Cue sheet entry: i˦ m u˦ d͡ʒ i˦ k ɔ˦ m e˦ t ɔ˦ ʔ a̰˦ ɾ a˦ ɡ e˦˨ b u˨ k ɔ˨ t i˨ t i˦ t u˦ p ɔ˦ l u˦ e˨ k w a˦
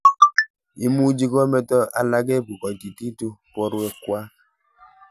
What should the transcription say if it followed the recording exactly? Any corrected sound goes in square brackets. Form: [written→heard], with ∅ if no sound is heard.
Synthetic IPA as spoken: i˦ m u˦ d͡ʒ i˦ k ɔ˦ m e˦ t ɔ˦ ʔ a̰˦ [ɾ→l] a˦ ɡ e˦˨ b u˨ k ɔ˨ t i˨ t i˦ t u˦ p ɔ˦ [l→ɾ] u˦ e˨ k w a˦